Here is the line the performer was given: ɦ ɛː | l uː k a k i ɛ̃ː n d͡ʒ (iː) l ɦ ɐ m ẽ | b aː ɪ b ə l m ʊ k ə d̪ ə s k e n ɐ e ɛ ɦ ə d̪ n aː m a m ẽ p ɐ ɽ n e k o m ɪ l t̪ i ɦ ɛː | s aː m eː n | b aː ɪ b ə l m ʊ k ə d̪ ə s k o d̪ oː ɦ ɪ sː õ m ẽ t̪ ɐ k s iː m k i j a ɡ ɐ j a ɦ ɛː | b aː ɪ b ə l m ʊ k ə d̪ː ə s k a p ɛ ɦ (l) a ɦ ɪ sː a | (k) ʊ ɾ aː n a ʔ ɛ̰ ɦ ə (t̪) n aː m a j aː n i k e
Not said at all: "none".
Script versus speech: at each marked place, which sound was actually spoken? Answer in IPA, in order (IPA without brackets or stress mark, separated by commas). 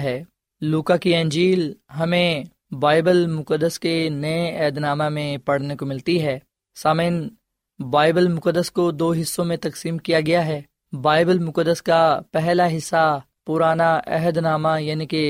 iː, l, p, d̪